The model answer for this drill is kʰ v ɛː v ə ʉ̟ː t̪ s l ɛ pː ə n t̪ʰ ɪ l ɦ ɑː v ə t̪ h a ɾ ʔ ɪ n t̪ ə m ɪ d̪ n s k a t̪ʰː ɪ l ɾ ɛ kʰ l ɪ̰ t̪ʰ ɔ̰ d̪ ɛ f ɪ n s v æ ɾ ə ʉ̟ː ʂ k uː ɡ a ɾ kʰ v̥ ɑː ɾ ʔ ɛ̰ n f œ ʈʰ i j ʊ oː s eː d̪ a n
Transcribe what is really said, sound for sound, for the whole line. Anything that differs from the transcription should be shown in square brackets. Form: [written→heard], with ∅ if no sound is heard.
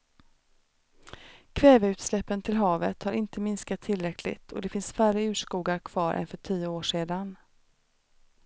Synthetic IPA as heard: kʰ v ɛː v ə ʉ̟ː t̪ s l ɛ pː ə n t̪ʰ ɪ l ɦ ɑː v ə t̪ h a ɾ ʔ ɪ n t̪ ə m ɪ [d̪→∅] n s k a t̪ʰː ɪ l ɾ ɛ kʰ l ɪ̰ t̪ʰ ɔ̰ d̪ ɛ f ɪ n s [v→f] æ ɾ ə ʉ̟ː ʂ k uː ɡ a ɾ kʰ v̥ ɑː ɾ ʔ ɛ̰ n f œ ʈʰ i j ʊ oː [s→ʂ] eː d̪ a n